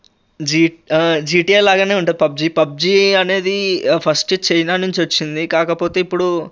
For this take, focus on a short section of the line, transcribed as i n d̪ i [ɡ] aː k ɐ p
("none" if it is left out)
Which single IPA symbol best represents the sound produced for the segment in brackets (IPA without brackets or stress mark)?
k